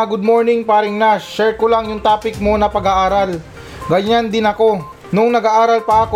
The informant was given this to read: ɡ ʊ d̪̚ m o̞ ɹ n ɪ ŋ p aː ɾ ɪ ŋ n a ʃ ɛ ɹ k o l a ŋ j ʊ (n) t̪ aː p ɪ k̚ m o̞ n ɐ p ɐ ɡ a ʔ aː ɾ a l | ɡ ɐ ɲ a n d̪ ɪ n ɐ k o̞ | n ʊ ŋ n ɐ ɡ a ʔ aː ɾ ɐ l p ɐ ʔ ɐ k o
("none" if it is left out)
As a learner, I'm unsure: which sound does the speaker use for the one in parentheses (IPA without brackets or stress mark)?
ŋ